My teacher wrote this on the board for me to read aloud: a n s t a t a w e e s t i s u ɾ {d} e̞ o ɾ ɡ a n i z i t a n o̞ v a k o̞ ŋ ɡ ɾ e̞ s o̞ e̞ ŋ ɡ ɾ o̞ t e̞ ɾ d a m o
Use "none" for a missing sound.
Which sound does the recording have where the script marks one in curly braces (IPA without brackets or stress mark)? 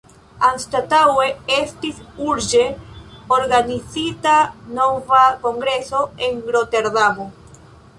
d͡ʒ